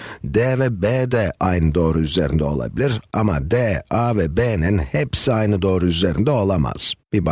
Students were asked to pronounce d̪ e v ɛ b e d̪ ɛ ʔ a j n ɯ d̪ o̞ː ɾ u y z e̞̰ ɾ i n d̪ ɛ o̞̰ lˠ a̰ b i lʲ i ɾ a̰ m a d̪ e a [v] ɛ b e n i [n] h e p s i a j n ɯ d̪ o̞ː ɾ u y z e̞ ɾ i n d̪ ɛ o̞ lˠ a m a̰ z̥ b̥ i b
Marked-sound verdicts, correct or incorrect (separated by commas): correct, correct